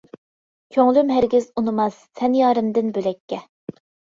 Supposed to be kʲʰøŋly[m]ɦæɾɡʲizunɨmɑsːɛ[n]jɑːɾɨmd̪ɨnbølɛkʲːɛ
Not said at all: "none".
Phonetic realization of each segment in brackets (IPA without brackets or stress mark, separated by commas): m, n